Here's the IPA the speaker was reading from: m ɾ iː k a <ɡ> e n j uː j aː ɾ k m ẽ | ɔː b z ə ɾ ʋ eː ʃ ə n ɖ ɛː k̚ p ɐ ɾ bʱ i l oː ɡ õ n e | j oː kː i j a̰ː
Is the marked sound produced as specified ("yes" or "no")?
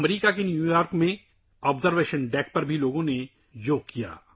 no